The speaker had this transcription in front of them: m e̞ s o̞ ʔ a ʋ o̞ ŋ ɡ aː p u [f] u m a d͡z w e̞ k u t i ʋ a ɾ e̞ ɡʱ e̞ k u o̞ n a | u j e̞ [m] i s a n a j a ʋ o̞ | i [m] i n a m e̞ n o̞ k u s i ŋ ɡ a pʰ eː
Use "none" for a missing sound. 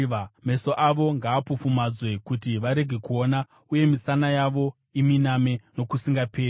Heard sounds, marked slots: f, m, m

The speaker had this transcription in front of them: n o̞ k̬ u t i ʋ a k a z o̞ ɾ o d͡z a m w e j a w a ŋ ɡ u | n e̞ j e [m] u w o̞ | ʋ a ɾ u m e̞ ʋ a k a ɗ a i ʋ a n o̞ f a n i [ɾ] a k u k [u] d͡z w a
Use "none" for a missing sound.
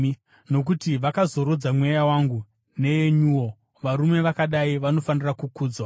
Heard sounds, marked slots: ɲ, r, uː

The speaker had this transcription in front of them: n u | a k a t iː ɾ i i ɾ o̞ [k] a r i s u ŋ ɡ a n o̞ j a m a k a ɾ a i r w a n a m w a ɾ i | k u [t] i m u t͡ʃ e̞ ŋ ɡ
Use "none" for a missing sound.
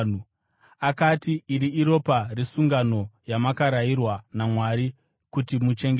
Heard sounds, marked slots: p, t

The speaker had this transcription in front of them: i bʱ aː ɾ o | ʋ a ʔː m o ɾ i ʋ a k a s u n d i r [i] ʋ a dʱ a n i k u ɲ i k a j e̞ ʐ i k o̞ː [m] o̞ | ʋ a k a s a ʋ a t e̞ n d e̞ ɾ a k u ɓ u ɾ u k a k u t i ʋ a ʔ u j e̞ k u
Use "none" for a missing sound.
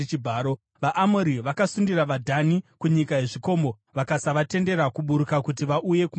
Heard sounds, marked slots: a, m

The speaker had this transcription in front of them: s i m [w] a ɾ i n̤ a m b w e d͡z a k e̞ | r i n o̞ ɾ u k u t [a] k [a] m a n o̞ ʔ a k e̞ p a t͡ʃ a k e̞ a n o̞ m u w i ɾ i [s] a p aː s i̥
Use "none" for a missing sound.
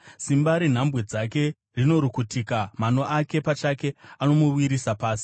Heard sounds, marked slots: b, i, a, s

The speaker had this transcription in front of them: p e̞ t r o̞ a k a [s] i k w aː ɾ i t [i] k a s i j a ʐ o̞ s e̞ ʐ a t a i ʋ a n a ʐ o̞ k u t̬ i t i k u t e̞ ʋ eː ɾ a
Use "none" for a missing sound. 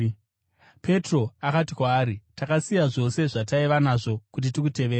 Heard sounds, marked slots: t, a

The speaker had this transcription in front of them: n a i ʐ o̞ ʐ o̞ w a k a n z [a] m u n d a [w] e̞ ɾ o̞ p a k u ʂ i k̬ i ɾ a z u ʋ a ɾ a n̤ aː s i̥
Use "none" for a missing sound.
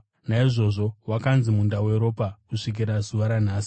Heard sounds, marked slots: i, w

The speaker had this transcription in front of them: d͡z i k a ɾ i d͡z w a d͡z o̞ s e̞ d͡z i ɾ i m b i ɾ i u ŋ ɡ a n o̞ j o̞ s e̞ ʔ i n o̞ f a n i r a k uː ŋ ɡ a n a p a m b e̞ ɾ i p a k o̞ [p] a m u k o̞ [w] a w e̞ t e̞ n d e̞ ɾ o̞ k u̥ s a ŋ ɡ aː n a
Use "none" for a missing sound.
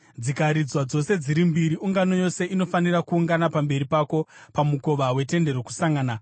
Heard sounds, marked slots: p, ʋ

